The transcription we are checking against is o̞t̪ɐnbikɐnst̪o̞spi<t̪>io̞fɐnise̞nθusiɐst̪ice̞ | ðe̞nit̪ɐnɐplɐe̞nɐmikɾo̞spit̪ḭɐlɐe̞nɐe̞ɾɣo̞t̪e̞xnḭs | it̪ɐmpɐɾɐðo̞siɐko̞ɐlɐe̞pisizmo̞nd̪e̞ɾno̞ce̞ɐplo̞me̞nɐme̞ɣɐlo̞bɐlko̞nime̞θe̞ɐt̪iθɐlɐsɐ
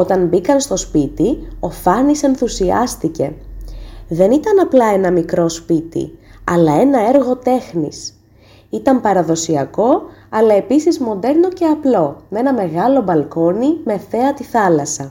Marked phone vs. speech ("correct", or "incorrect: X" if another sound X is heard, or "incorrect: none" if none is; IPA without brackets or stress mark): correct